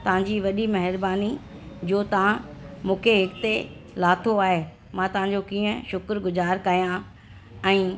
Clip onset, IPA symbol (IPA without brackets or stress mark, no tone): t̪